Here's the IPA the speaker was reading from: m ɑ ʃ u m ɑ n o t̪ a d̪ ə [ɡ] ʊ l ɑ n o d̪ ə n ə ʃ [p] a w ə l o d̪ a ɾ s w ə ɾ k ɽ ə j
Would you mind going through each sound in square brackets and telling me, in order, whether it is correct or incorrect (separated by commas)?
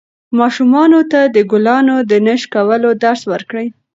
correct, incorrect